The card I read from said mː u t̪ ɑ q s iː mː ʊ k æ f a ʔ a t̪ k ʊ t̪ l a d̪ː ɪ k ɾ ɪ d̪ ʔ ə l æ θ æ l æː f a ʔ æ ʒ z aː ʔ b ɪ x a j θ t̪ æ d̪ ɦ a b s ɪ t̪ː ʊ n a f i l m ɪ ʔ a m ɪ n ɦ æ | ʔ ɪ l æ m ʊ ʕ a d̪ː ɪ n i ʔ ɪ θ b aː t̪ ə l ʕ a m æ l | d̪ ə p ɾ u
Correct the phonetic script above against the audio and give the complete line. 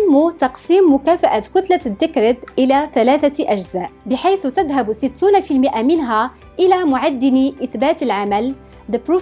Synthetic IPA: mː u t̪ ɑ q s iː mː ʊ k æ f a ʔ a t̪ k ʊ t̪ l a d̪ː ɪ k ɾ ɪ d̪ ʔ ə l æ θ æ l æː θ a ʔ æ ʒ z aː ʔ b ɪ ħ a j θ t̪ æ d̪ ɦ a b s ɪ t̪ː u n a f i l m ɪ ʔ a m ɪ n ɦ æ | ʔ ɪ l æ m ʊ ʕ a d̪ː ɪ n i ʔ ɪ θ b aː t̪ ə l ʕ a m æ l | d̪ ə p ɾ u